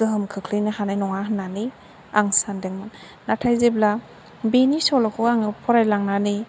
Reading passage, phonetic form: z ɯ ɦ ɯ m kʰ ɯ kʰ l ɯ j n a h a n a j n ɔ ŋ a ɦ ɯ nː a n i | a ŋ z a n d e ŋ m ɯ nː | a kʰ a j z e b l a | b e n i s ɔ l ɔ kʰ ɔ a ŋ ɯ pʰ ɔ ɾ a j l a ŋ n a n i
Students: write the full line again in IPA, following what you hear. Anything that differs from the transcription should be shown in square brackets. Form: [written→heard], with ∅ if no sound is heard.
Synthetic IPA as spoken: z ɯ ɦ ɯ m kʰ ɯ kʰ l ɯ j n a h a n a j n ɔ ŋ a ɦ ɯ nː a n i | a ŋ [z→s] a n d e ŋ m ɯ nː | a [kʰ→tʰ] a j z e b l a | b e n i s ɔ l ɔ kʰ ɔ a ŋ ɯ pʰ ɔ ɾ a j l a ŋ n a n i